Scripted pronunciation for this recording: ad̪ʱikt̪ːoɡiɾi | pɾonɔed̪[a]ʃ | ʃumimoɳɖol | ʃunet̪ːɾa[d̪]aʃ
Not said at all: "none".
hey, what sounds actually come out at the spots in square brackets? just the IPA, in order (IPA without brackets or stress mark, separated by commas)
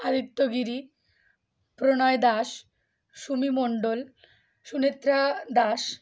a, d̪